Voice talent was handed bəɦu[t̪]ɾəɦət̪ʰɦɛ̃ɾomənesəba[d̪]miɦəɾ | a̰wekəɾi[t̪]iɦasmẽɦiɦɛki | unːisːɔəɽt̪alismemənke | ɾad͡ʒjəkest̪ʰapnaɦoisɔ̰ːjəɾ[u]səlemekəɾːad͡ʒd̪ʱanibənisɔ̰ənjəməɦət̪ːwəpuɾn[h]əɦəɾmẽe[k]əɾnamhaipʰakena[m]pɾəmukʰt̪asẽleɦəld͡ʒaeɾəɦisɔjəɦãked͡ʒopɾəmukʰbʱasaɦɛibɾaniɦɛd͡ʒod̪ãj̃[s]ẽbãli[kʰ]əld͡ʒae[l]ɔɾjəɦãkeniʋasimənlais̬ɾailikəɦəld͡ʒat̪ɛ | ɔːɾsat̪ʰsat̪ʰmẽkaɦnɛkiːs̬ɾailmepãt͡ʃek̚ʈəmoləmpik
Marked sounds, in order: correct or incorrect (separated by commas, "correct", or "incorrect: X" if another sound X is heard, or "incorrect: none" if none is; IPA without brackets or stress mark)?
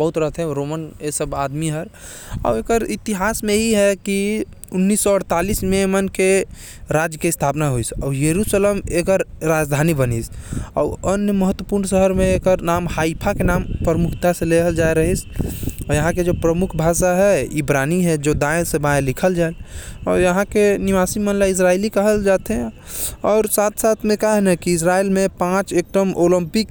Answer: correct, correct, correct, correct, incorrect: s, correct, correct, correct, correct, correct